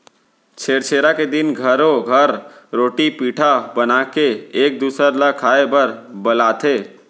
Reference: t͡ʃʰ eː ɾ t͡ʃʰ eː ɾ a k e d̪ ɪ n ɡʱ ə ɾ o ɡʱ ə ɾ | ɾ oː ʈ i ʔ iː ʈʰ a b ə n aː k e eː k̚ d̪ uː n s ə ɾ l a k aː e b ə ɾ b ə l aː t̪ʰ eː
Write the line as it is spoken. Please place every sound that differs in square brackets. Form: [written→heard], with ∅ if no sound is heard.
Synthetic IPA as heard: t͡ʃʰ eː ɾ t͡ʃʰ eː ɾ a k e d̪ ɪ n ɡʱ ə ɾ o ɡʱ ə ɾ | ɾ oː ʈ i [ʔ→p] iː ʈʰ a b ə n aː k e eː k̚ d̪ uː [n→∅] s ə ɾ l a [k→kʰ] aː e b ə ɾ b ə l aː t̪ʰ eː